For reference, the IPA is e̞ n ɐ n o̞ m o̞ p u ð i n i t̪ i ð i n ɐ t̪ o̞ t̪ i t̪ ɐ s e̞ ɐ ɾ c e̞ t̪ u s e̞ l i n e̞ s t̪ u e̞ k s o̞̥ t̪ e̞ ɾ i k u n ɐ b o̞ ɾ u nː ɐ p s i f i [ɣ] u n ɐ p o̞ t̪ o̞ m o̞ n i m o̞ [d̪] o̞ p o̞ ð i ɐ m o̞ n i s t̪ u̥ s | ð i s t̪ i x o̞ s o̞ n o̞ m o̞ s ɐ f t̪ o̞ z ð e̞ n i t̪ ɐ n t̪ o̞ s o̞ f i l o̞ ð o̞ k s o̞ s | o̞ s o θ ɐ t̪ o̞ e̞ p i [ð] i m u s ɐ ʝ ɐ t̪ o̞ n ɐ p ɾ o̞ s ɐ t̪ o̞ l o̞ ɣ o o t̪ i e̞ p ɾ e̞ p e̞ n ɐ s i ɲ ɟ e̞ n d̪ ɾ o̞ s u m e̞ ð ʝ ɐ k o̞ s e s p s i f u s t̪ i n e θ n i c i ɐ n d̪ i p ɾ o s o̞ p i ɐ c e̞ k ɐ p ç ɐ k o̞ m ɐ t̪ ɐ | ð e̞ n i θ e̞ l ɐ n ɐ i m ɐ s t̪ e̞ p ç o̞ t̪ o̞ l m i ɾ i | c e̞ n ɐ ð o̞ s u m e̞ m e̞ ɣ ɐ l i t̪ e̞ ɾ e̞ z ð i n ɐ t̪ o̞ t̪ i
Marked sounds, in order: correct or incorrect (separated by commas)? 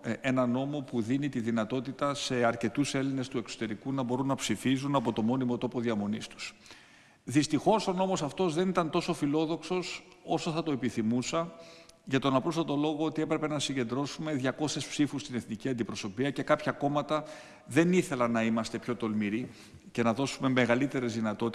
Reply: incorrect, incorrect, incorrect